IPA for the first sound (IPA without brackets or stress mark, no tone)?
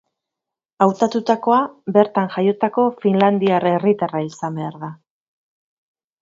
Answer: a